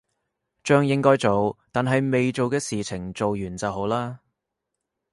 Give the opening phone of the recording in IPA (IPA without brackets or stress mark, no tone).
t͡ʃ